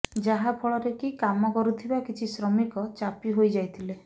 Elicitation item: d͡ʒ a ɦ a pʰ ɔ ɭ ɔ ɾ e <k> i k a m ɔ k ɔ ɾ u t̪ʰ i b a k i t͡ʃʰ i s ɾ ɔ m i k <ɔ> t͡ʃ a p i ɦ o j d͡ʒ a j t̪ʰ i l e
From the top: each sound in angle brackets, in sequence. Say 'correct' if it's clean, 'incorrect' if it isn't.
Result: correct, correct

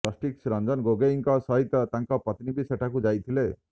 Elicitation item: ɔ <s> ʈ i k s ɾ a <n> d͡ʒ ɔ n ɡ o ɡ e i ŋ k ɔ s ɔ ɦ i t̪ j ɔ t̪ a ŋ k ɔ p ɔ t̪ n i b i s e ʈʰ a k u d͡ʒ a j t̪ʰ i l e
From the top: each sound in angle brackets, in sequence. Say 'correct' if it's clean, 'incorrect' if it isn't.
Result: correct, correct

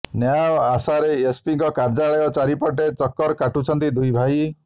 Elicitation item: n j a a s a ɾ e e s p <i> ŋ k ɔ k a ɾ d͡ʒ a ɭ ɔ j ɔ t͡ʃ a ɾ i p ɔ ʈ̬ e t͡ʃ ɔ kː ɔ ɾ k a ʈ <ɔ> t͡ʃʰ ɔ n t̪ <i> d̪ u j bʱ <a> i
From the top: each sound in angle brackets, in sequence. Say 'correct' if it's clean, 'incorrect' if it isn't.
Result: correct, incorrect: u, correct, correct

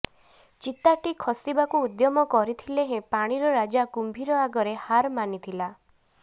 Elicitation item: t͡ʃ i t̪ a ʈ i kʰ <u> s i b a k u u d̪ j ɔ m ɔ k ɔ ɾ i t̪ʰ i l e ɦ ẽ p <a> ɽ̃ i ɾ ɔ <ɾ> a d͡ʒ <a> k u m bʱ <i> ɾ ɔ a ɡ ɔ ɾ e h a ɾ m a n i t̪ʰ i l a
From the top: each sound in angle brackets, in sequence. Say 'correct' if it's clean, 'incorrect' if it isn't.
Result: incorrect: ɔ, correct, correct, correct, correct

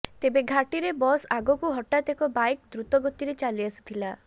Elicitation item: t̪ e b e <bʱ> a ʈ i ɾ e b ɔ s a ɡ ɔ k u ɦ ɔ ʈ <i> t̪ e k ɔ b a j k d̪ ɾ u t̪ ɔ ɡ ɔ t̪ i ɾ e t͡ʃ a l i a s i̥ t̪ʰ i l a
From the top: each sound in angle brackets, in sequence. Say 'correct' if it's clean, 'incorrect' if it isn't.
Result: incorrect: ɡʱ, incorrect: a

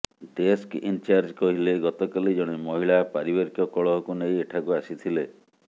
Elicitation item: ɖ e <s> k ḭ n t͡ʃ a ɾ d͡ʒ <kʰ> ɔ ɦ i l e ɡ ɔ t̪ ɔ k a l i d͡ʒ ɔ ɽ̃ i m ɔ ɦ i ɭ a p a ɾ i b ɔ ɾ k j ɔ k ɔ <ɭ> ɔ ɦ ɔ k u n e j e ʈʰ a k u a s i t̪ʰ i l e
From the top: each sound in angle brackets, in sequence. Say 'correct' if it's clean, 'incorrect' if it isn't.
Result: correct, incorrect: k, correct

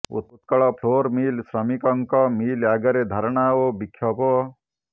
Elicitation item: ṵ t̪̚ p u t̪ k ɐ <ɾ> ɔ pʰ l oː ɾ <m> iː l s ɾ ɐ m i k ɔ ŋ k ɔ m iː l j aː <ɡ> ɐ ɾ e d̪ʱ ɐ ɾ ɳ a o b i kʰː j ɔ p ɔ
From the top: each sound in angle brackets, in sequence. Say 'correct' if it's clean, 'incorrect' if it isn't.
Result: incorrect: ɭ, correct, correct

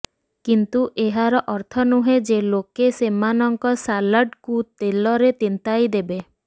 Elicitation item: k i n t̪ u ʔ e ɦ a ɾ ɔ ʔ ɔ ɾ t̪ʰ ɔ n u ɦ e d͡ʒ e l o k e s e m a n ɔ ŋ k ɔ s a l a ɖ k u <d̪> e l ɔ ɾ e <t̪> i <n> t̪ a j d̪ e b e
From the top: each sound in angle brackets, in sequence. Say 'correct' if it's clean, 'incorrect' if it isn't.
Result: incorrect: t̪, correct, correct

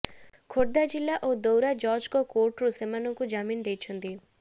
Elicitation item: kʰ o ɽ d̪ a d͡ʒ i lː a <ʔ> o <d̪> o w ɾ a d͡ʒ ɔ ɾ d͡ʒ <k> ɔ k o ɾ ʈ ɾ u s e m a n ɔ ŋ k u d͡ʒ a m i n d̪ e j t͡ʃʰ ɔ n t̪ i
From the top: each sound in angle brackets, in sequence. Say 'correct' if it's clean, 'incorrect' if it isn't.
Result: correct, correct, correct

